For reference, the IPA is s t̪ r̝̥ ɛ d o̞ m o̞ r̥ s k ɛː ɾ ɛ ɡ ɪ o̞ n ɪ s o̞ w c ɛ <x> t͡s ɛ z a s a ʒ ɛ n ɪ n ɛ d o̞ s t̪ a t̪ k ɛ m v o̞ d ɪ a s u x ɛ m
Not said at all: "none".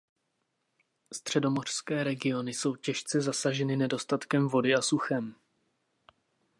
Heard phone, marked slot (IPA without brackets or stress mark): ʃ